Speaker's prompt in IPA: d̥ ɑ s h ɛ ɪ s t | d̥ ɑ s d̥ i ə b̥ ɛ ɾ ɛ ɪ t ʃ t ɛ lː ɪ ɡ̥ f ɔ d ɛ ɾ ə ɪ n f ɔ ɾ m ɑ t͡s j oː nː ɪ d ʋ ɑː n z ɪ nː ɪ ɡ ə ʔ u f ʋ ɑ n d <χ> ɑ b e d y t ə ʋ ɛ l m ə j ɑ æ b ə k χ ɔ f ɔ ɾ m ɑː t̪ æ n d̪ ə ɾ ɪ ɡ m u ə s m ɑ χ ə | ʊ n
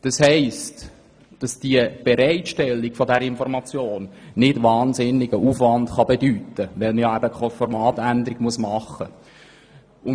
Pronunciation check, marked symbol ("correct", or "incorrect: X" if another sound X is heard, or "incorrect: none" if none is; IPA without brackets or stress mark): correct